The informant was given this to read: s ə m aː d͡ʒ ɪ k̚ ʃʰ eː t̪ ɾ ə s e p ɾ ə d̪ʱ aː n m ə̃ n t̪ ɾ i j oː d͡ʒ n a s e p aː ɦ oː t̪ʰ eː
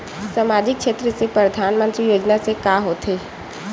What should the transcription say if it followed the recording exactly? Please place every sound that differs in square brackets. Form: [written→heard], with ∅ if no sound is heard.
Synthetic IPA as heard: s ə m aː d͡ʒ ɪ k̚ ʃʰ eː t̪ ɾ ə s e p ɾ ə d̪ʱ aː n m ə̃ n t̪ ɾ i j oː d͡ʒ n a s e [p→k] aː ɦ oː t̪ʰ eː